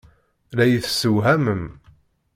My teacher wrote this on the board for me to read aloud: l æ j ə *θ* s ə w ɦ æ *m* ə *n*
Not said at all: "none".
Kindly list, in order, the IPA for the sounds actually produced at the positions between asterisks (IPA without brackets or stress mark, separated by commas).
θ, m, m